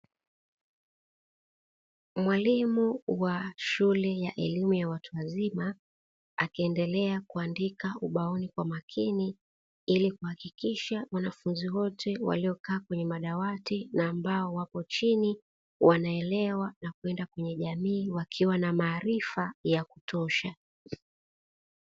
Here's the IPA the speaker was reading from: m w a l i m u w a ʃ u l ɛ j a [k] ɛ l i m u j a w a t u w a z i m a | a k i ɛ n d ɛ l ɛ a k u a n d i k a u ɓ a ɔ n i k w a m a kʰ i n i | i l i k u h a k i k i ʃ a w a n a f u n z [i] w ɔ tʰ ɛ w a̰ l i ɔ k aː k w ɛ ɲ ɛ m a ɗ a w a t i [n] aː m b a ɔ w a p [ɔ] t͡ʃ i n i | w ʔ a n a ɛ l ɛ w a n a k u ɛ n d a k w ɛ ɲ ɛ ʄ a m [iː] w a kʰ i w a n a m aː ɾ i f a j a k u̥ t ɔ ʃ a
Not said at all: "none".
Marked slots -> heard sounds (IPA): ʔ, i, n, ɔ, iː

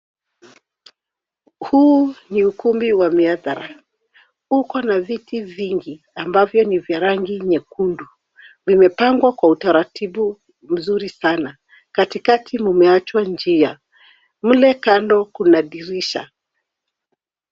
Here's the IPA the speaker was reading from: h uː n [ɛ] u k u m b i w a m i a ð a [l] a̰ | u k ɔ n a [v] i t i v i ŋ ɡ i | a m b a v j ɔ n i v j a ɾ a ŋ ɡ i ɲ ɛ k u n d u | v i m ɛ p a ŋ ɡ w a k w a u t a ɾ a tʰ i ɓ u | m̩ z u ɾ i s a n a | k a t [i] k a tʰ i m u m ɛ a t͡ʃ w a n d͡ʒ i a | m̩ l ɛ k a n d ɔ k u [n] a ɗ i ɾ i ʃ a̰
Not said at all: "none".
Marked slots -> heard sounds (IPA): i, ɾ, v, i, n

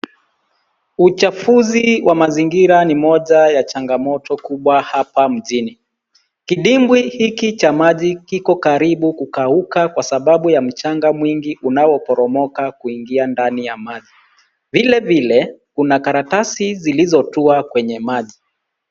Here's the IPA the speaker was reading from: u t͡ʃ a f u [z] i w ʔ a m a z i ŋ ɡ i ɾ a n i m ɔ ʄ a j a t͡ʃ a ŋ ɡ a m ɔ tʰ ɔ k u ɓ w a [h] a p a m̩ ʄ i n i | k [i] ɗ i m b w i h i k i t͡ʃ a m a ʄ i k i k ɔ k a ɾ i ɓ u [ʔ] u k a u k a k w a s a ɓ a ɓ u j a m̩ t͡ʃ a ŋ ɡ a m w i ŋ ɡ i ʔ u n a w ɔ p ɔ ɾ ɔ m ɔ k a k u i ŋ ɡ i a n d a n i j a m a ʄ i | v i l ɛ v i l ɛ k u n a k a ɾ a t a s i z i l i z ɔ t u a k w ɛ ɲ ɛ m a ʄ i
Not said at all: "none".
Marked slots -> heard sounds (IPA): z, h, i, k

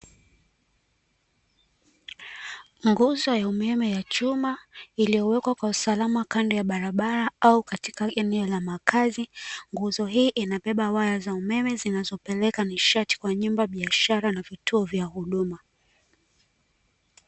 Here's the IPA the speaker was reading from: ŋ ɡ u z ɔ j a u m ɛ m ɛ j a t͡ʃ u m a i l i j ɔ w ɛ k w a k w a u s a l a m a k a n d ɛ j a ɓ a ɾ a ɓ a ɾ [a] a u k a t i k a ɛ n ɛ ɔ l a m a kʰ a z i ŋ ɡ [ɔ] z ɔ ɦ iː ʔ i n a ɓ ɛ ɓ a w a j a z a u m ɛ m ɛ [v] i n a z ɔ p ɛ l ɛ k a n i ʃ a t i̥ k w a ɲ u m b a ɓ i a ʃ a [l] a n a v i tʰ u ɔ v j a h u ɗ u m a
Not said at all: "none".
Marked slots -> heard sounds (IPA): a, u, z, ɾ

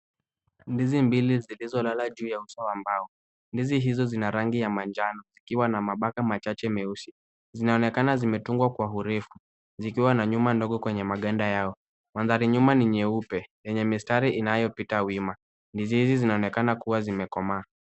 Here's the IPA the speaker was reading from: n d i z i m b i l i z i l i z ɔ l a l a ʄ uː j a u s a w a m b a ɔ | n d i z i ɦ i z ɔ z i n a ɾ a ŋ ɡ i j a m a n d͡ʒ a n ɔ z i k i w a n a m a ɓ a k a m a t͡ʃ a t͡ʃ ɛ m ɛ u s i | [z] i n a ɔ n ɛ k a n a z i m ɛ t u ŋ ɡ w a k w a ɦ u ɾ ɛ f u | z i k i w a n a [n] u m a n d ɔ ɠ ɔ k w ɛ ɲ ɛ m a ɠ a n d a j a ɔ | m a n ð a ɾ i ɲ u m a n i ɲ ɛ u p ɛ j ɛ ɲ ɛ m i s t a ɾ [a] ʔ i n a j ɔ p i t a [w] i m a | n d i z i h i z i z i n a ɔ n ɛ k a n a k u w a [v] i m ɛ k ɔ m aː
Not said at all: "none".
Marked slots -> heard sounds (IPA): z, ɲ, i, w, z

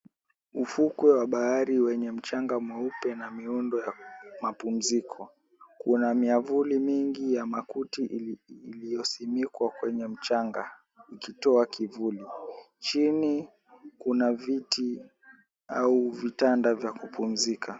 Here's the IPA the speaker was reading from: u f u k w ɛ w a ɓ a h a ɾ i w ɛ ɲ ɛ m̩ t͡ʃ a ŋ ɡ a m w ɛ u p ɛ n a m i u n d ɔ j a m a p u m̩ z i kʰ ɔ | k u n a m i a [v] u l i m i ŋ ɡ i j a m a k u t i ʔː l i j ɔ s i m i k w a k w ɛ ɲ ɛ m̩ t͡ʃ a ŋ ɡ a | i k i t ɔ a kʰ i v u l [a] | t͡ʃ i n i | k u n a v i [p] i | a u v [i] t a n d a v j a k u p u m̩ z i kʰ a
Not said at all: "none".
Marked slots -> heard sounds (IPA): v, i, t, i

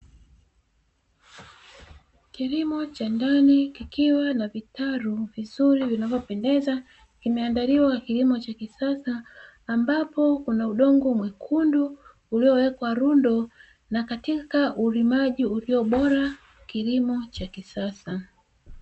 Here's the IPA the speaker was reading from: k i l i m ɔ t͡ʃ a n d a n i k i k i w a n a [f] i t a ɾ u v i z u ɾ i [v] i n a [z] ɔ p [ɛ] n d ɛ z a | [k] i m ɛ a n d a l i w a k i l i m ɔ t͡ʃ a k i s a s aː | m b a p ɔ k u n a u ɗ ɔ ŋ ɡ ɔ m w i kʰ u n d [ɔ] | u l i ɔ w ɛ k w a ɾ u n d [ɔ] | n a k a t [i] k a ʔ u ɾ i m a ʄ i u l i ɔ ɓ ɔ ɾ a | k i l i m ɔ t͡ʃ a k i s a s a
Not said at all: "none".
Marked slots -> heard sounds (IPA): v, v, v, ɛ, k, u, ɔ, i

